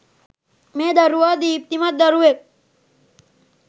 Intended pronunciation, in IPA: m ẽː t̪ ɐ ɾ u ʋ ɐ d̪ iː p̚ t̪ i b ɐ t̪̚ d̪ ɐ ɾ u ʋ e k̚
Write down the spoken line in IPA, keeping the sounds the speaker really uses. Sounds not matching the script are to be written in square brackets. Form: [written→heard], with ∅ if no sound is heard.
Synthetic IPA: m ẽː [t̪→d̪] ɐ ɾ u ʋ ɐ d̪ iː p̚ t̪ i [b→m] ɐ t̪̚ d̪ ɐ ɾ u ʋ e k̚